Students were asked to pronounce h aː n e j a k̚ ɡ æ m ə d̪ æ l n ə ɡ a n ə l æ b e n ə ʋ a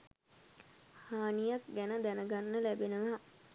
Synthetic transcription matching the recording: h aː n i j a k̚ ɡ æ n ə d̪ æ n ə ɡ a nː ə l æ b e n ə ʋ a